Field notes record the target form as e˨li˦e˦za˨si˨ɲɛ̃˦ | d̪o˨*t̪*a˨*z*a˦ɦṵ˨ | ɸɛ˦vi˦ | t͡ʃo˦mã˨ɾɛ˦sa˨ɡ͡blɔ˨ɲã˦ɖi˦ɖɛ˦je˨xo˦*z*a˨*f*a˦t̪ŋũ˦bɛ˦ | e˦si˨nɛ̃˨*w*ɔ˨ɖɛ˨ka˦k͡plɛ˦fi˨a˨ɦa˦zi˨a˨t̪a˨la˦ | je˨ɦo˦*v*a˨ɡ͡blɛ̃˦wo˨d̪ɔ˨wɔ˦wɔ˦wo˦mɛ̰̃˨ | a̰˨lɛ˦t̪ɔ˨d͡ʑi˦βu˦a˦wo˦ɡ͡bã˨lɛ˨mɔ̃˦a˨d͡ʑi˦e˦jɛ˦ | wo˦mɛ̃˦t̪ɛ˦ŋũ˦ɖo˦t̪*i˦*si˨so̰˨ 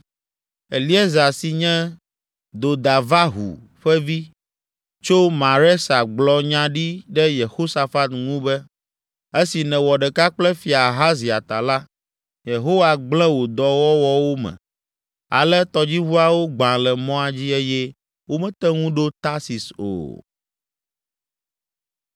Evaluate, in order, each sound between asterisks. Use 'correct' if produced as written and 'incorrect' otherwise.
incorrect: d̪, incorrect: v, incorrect: s, correct, correct, incorrect: w, incorrect: a˦

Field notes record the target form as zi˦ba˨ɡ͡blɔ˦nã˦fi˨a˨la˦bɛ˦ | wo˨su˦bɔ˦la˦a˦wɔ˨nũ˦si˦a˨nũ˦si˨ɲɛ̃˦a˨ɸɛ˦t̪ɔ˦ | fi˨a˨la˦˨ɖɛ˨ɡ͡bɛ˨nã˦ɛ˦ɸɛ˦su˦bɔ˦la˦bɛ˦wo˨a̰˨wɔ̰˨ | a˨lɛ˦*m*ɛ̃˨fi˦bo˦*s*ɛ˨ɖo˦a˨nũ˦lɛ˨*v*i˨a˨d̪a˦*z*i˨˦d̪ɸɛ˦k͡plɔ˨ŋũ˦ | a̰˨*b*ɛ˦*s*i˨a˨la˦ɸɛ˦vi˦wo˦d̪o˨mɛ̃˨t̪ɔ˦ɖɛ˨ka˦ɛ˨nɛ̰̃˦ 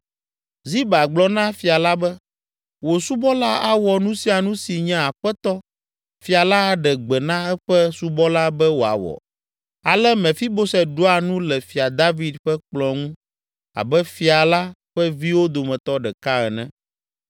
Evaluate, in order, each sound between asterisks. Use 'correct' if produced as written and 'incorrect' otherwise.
correct, correct, incorrect: f, incorrect: v, correct, incorrect: f

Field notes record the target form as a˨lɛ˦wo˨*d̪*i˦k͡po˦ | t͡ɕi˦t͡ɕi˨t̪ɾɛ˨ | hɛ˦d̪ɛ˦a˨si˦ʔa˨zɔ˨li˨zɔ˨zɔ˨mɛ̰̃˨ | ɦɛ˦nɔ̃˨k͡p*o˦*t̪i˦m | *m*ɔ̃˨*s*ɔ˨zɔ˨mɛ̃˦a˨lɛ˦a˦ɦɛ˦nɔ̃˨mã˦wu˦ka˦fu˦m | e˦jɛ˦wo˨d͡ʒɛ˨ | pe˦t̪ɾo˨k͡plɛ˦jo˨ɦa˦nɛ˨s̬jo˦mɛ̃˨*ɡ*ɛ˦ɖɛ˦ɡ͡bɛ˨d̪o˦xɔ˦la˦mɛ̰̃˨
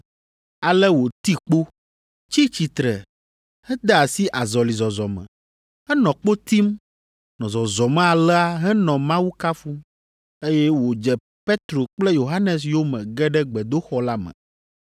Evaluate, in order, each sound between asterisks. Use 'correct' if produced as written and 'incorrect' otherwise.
incorrect: t̪, correct, incorrect: n, incorrect: z, correct

